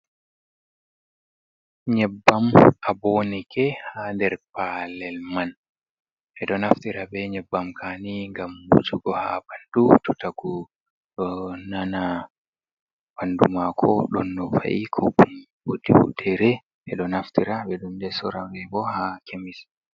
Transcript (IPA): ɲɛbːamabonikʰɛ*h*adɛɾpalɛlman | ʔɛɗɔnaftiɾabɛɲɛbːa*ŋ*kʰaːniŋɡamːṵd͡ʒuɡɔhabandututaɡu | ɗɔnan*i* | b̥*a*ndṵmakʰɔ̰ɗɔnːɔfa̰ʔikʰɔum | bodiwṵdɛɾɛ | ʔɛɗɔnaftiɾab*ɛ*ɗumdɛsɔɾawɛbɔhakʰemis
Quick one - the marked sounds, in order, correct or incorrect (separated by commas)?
correct, incorrect, incorrect, correct, correct